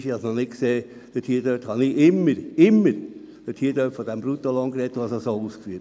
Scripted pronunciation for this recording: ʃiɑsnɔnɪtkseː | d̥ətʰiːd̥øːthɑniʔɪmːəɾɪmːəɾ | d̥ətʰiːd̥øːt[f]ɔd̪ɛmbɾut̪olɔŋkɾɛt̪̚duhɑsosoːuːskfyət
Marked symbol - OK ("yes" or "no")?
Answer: yes